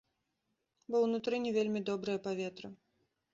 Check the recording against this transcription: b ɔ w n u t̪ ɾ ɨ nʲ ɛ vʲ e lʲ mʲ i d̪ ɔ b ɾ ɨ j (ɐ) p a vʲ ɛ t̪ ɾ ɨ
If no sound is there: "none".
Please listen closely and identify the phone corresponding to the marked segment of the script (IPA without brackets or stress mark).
ɐ